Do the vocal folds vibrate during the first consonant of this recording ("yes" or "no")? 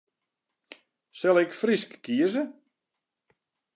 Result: no